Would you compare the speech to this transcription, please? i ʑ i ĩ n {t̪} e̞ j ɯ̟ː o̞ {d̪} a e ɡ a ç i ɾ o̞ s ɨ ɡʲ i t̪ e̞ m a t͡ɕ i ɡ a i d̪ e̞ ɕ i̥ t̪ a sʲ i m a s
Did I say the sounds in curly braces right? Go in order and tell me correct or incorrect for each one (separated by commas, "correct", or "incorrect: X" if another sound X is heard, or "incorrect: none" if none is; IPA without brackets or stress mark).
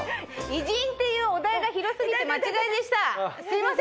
correct, correct